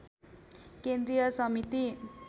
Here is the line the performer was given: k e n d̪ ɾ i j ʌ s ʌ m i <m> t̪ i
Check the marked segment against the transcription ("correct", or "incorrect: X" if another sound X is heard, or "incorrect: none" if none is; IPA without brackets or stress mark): incorrect: none